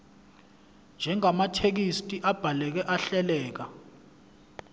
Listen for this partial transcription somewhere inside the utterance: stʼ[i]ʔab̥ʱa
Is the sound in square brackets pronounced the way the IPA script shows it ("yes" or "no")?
yes